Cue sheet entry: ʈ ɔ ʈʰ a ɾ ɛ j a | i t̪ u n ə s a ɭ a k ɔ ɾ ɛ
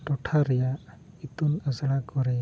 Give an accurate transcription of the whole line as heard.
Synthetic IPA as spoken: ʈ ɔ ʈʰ a ɾ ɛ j a | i t̪ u n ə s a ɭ a k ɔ ɾ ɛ